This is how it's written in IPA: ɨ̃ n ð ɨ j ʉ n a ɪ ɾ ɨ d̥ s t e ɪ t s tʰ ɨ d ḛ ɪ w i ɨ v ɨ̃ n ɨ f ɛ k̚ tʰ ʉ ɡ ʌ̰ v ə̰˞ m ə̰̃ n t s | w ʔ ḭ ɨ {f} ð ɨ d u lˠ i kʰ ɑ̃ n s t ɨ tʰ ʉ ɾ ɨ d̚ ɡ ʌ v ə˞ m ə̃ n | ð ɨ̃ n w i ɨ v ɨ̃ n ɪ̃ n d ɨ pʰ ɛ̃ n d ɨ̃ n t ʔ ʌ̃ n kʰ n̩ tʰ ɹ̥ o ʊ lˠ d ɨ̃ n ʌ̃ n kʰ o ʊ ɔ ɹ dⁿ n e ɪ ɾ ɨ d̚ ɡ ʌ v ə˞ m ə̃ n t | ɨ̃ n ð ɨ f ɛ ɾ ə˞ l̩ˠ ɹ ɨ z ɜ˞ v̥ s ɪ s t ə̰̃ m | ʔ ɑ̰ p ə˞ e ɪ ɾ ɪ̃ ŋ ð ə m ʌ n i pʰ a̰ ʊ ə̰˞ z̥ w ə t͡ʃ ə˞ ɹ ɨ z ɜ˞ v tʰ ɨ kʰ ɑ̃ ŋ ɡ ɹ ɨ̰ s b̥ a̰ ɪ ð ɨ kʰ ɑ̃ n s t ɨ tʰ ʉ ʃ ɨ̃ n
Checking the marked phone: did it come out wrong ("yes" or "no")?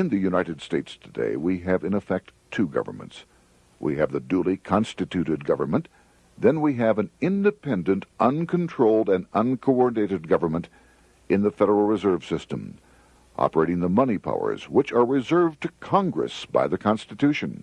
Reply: yes